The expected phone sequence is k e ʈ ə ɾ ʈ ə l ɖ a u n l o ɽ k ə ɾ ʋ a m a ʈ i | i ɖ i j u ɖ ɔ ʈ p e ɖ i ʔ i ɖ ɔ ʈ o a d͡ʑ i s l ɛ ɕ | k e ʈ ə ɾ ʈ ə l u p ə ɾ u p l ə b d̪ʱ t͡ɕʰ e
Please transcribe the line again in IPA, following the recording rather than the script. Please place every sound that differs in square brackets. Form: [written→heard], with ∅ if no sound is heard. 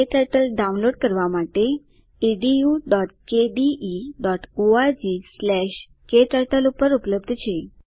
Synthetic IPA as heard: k e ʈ ə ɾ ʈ ə l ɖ a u n l o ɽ k ə ɾ ʋ a m a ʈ [i→e] | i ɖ i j u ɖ ɔ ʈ [p→k] e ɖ i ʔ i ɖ ɔ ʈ o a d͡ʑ i s l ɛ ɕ | k e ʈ ə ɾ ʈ ə l u p ə ɾ u p l ə b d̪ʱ t͡ɕʰ e